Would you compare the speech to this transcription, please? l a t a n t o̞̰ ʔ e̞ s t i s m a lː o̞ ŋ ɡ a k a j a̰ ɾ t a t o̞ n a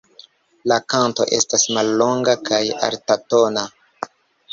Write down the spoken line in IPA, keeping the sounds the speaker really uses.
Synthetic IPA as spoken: l a k a n t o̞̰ ʔ e̞ s t a s m a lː o̞ ŋ ɡ a k a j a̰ ɾ t a t o̞ n a